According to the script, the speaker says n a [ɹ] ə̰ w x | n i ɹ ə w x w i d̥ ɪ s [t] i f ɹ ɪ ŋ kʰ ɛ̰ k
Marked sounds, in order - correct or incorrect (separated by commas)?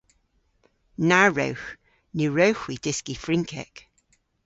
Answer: correct, incorrect